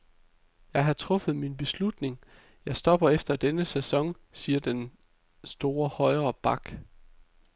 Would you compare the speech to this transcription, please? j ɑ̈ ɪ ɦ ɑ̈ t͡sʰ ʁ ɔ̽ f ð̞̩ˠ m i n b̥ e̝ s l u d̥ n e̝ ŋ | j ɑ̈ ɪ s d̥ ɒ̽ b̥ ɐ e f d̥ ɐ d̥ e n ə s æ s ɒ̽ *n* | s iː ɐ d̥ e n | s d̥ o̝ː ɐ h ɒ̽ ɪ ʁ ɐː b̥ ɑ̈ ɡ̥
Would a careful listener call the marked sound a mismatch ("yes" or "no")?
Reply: yes